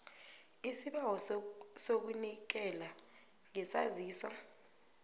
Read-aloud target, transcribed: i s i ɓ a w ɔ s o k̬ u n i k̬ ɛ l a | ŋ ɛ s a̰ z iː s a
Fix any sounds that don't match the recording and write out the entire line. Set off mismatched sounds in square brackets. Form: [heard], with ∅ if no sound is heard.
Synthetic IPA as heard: i s i ɓ a w ɔ s o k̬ u n i k̬ ɛ l a | ŋ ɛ s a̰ z iː s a